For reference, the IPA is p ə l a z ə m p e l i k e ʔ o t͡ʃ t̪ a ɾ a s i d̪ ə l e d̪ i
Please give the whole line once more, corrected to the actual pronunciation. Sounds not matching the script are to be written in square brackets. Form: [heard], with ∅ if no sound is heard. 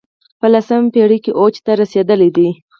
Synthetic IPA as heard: p ə l a [s] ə m p e [ɽ] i k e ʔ o t͡ʃ t̪ a ɾ a s [e] d̪ ə l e d̪ i